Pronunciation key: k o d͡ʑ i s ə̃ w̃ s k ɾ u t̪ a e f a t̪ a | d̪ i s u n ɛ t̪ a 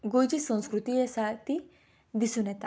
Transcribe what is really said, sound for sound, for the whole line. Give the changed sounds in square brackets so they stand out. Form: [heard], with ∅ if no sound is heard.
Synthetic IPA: [ɡ] o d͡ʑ i s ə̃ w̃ s k ɾ u t̪ [i] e [s] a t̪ [i] | d̪ i s u n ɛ t̪ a